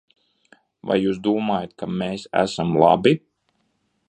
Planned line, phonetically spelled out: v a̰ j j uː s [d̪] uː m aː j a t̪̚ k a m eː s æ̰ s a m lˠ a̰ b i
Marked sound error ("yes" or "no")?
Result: no